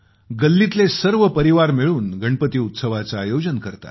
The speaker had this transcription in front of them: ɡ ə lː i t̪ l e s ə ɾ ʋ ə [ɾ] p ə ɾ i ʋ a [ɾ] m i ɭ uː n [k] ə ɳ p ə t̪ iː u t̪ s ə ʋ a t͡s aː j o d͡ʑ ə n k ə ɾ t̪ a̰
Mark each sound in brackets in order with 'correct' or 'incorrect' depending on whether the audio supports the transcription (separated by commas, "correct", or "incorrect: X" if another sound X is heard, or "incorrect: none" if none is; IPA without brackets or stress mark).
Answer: incorrect: none, correct, incorrect: ɡ